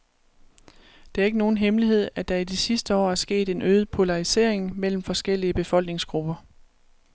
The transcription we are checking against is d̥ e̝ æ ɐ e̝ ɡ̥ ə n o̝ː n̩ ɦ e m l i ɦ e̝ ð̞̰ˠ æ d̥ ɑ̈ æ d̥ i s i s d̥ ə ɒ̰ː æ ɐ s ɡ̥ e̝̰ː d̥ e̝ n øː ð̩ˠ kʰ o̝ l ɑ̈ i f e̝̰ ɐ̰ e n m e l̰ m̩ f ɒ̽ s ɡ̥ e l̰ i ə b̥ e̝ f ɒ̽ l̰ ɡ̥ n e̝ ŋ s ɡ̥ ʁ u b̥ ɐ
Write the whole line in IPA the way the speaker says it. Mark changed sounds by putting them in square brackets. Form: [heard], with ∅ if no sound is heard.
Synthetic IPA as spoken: d̥ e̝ æ ɐ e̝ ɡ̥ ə n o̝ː n̩ ɦ e m l i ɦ e̝ ð̞̰ˠ æ d̥ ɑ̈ [i] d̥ i s i s d̥ ə ɒ̰ː æ ɐ s ɡ̥ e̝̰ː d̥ e̝ n øː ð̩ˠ [pʰ] o̝ l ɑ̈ i [s] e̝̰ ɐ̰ e [ŋ] m e l̰ m̩ f ɒ̽ s ɡ̥ e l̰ i ə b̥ e̝ f ɒ̽ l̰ ɡ̥ n e̝ ŋ s ɡ̥ ʁ u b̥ ɐ